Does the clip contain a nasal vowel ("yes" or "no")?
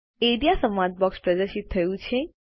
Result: yes